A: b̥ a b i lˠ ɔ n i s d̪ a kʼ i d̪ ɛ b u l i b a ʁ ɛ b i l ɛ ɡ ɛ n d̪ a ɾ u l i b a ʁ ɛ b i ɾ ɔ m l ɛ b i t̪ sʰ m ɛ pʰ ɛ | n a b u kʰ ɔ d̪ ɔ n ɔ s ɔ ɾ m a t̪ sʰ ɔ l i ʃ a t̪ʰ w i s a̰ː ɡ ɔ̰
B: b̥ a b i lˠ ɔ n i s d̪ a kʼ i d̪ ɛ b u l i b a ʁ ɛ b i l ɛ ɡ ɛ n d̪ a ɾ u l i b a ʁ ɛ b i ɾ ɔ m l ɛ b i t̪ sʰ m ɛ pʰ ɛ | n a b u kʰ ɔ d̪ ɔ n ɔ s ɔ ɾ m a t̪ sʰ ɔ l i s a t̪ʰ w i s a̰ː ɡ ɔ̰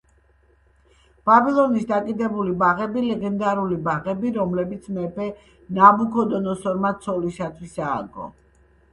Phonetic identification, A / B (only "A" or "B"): A